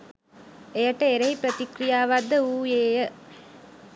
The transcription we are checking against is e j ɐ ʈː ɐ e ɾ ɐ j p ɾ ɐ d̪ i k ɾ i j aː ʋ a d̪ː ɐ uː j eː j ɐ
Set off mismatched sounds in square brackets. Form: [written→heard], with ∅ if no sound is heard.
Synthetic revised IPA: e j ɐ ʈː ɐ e ɾ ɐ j p ɾ ɐ [d̪→t̪] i k ɾ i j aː ʋ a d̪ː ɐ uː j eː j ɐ